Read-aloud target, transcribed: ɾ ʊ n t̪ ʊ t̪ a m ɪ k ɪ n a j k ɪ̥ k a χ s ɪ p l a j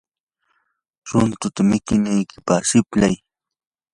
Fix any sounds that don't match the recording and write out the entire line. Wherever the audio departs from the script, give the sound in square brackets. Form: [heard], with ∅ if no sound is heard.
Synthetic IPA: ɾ ʊ n t̪ ʊ t̪ a m ɪ k ɪ n a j k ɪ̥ [p] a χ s ɪ p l a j

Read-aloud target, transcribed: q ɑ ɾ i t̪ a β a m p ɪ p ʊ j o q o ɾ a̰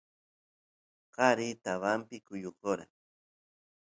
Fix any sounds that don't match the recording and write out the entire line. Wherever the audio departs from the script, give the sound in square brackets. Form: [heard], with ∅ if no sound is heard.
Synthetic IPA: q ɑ ɾ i t̪ a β a m p ɪ [k] ʊ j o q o ɾ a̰

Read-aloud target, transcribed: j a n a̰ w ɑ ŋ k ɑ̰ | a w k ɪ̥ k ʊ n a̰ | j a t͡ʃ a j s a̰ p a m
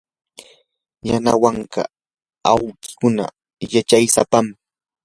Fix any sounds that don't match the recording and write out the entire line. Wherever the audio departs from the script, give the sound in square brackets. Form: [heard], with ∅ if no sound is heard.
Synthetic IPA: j a n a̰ w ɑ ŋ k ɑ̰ | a w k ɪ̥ k ʊ n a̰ | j a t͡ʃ a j s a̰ p a m

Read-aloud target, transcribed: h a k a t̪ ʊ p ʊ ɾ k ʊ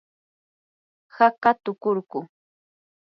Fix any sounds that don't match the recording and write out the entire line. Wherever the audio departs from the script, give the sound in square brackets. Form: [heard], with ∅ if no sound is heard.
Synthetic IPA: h a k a t̪ ʊ [k] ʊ ɾ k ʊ

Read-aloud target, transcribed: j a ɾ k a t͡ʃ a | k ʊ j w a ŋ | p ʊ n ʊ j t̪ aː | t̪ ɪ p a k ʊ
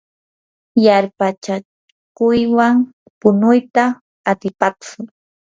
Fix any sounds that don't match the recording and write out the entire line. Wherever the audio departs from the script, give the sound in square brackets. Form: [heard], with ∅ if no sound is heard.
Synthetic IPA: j a ɾ [p] a t͡ʃ a | k ʊ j w a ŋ | p ʊ n ʊ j t̪ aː | t̪ ɪ p a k ʊ

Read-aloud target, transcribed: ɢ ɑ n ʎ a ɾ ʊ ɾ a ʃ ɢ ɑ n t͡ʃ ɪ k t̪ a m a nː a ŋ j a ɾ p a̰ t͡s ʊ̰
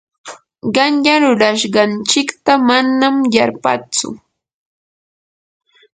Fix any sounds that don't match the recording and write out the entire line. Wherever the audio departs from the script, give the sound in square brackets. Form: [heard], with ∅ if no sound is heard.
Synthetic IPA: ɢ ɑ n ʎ a ɾ ʊ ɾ a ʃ ɢ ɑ n t͡ʃ ɪ k t̪ a m a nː a [m] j a ɾ p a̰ t͡s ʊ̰

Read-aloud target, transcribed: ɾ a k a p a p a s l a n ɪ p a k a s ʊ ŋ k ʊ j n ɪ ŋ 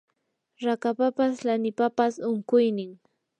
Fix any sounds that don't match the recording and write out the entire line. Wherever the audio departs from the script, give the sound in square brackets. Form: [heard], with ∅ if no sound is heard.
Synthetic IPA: ɾ a k a p a p a s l a n ɪ p a [p] a s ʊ ŋ k ʊ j n ɪ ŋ

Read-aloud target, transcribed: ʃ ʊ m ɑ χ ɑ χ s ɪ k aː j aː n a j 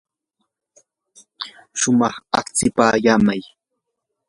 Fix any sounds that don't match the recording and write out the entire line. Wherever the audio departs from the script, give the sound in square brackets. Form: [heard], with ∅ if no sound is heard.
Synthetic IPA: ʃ ʊ m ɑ χ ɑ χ [t͡s] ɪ [p] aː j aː [m] a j

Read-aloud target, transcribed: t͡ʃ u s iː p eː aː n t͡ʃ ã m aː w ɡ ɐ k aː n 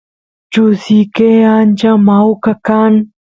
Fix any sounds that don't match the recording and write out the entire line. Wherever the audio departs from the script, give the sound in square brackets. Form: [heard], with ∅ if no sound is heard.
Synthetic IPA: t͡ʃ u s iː [k] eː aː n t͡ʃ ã m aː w [k] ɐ k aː n

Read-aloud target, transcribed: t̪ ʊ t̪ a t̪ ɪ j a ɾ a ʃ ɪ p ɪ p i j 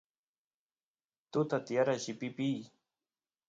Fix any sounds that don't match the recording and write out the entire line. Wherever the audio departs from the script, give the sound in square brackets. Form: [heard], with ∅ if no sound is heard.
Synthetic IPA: t̪ ʊ t̪ a t̪ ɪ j a ɾ a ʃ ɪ p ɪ p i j

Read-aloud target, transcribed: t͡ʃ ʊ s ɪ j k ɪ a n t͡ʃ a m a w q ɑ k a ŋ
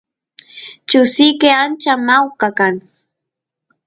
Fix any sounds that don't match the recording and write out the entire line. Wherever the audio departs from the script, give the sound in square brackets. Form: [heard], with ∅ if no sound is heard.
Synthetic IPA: t͡ʃ ʊ s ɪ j k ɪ a n t͡ʃ a m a w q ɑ k a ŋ

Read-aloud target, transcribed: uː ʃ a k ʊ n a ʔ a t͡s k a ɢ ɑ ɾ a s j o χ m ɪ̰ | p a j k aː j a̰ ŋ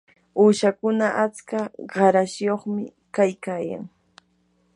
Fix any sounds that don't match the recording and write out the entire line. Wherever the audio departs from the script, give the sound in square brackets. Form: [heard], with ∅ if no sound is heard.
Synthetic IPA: uː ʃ a k ʊ n a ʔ a t͡s k a ɢ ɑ ɾ a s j o χ m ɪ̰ | [k] a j k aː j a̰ ŋ

